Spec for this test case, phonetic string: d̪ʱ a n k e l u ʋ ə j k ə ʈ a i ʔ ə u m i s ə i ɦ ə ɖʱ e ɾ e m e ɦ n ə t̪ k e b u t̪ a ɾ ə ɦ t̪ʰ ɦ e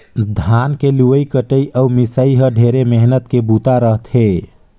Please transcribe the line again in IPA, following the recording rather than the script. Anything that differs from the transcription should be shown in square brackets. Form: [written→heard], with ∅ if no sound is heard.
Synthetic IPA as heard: d̪ʱ a n k e l u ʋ ə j k ə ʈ [a→ə] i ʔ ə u m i s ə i ɦ ə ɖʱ e ɾ e m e ɦ n ə t̪ k e b u t̪ a ɾ ə ɦ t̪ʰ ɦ e